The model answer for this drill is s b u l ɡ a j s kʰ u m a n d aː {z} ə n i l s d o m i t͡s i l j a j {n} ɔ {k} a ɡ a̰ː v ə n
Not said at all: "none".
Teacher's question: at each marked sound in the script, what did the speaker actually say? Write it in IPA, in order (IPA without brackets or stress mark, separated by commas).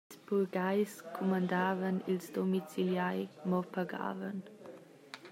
v, m, p